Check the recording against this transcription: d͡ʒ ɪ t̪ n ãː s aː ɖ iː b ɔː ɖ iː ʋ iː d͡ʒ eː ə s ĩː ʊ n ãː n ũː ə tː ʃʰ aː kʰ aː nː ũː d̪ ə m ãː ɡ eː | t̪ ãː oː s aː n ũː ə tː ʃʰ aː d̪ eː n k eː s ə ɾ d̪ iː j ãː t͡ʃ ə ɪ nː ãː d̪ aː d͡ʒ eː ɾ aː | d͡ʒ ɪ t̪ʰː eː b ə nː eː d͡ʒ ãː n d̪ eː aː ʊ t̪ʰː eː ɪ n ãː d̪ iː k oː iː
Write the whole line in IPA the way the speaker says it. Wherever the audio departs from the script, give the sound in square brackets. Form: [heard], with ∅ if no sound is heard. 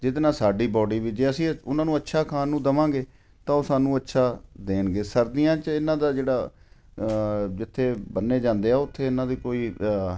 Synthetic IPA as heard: d͡ʒ ɪ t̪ n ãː s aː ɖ iː b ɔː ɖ iː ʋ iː d͡ʒ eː ə s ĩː ʊ n ãː n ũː ə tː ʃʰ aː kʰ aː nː ũː d̪ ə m ãː ɡ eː | t̪ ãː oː s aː n ũː ə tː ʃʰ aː d̪ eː n [ɡ] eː s ə ɾ d̪ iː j ãː t͡ʃ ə ɪ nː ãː d̪ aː d͡ʒ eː [ɽ] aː | d͡ʒ ɪ t̪ʰː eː b ə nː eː d͡ʒ ãː n d̪ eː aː ʊ t̪ʰː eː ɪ n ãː d̪ iː k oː iː

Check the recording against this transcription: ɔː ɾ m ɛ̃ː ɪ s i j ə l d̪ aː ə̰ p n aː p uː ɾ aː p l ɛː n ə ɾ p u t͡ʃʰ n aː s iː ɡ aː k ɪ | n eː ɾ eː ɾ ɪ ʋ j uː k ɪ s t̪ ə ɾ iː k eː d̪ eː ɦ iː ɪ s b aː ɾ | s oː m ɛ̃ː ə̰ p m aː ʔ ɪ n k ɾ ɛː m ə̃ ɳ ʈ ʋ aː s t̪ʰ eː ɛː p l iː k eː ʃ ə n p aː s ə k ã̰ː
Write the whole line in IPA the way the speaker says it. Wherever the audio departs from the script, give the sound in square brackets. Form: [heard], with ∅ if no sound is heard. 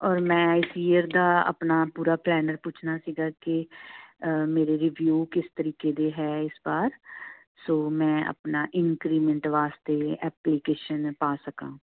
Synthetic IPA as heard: ɔː ɾ m ɛ̃ː ɪ s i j ə [ɾ] d̪ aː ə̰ p n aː p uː ɾ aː p l ɛː n ə ɾ p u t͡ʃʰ n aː s iː ɡ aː k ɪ | [m] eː ɾ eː ɾ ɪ ʋ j uː k ɪ s t̪ ə ɾ iː k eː d̪ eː ɦ [ɛː] ɪ s b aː ɾ | s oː m ɛ̃ː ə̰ p [n] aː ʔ ɪ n k ɾ [iː] m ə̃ ɳ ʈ ʋ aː s [t̪] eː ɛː p l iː k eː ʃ ə n p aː s ə k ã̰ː

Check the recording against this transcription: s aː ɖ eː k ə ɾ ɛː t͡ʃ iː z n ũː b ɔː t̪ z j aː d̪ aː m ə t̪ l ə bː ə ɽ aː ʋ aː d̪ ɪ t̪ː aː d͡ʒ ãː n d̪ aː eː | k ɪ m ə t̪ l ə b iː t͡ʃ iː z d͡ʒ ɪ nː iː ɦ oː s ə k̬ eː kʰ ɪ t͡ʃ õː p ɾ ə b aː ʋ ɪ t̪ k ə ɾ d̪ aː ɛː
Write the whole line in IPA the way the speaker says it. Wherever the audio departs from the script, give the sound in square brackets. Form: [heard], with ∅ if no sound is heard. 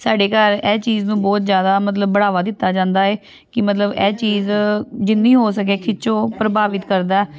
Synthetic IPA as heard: s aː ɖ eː k ə ɾ ɛː t͡ʃ iː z n ũː b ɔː t̪ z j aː d̪ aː m ə t̪ l ə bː ə ɽ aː ʋ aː d̪ ɪ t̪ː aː d͡ʒ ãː n d̪ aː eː | k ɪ m ə t̪ l ə b [ɛː] t͡ʃ iː z d͡ʒ ɪ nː iː ɦ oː s ə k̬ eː kʰ ɪ t͡ʃ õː p ɾ ə b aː ʋ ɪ t̪ k ə ɾ d̪ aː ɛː

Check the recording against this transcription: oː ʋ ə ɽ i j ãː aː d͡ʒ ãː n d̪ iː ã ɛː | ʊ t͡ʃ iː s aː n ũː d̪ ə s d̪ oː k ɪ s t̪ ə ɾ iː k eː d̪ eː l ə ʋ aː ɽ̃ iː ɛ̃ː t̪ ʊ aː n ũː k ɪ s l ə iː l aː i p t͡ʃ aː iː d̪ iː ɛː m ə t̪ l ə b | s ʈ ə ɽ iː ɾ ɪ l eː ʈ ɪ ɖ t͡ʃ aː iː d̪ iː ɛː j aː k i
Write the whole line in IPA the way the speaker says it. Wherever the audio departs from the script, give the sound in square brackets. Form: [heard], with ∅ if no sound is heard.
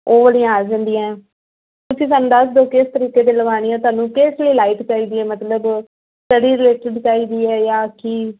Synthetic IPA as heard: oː ʋ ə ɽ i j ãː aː d͡ʒ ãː n d̪ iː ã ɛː | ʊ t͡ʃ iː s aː n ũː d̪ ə s d̪ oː k ɪ s t̪ ə ɾ iː k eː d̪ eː l ə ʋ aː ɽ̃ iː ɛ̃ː t̪ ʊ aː n ũː k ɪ s l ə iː l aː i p t͡ʃ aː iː d̪ iː ɛː m ə t̪ l ə b | s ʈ ə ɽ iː ɾ ɪ l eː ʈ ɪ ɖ t͡ʃ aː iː d̪ iː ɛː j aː k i

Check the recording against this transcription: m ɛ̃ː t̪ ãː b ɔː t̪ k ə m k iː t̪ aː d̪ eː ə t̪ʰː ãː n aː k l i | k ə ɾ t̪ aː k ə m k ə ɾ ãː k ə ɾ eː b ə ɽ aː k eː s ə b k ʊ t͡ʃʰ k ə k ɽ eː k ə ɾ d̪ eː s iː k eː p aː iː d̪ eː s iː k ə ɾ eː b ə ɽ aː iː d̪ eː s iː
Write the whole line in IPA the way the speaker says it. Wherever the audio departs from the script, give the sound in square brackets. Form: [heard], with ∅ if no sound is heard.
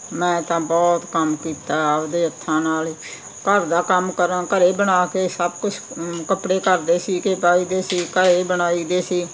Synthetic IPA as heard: m ɛ̃ː t̪ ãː b ɔː t̪ k ə m k iː t̪ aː d̪ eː ə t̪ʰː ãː n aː [∅] l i | k ə ɾ [d̪] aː k ə m k ə ɾ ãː k ə ɾ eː b ə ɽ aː k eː s ə b k ʊ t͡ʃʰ k ə [p] ɽ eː k ə ɾ d̪ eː s iː k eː p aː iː d̪ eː s iː k ə ɾ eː b ə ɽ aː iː d̪ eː s iː

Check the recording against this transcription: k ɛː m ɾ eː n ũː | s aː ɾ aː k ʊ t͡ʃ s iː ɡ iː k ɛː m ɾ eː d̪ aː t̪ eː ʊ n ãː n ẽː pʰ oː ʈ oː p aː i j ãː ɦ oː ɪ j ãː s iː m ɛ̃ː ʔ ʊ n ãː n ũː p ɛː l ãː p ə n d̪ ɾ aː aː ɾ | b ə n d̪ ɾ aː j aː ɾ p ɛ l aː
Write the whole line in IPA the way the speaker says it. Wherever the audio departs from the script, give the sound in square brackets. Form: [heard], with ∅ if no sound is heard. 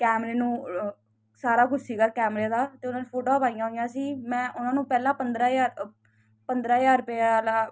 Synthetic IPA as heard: k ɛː m ɾ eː n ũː | s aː ɾ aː k ʊ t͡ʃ s iː ɡ [aː] k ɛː m ɾ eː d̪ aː t̪ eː ʊ n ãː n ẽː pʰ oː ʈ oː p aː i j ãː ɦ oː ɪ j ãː s iː m ɛ̃ː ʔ ʊ n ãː n ũː p ɛː l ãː p ə n d̪ ɾ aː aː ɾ | [p] ə n d̪ ɾ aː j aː ɾ p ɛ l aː

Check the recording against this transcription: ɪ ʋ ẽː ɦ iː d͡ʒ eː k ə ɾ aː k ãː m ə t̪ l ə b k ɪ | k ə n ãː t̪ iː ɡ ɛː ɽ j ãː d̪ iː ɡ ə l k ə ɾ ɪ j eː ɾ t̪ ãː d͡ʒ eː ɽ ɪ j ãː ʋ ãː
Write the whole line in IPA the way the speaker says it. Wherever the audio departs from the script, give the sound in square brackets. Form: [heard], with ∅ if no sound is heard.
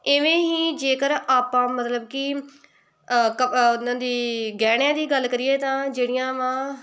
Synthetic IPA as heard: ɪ ʋ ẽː ɦ iː d͡ʒ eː k ə ɾ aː [p] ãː m ə t̪ l ə b k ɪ | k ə n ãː [d̪] iː ɡ ɛː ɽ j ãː d̪ iː ɡ ə l k ə ɾ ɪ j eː [∅] t̪ ãː d͡ʒ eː ɽ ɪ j ãː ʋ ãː

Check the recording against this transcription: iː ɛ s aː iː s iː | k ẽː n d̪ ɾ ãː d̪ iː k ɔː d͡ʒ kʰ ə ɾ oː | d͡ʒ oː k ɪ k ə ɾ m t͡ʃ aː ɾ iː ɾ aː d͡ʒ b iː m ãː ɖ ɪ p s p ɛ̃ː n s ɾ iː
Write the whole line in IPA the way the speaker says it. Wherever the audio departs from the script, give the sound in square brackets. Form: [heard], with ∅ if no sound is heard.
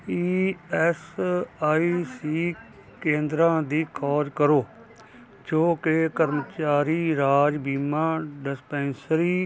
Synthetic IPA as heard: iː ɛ s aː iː s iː | k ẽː n d̪ ɾ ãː d̪ iː [kʰ] ɔː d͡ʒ [k] ə ɾ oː | d͡ʒ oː k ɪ k ə ɾ m t͡ʃ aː ɾ iː ɾ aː d͡ʒ b iː m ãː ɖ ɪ [∅] s p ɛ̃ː n s ɾ iː

